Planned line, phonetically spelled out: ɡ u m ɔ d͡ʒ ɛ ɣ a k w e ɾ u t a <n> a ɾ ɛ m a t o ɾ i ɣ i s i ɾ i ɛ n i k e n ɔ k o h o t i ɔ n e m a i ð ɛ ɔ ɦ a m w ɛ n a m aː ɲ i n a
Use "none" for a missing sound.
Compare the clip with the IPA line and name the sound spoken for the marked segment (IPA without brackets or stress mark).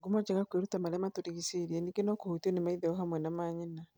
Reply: m